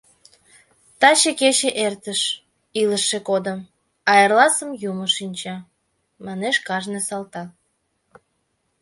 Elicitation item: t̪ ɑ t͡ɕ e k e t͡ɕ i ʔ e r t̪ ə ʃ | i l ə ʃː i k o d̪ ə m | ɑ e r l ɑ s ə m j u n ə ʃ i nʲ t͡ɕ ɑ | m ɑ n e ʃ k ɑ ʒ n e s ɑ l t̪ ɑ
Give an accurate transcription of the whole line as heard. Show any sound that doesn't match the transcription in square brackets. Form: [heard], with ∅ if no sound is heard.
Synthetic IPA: t̪ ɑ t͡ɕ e k e t͡ɕ [e] ʔ e r t̪ ə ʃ | i l ə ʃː [e] k o d̪ ə m | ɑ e r l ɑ s ə m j u [m] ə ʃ i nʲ t͡ɕ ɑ | m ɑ n e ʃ k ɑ ʒ n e s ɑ l t̪ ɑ